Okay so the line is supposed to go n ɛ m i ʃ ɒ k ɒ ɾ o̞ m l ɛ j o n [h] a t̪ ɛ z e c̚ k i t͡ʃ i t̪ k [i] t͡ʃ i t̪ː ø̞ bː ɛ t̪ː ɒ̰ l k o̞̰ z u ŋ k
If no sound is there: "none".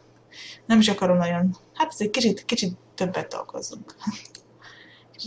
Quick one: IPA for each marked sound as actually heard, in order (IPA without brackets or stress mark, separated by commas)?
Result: h, i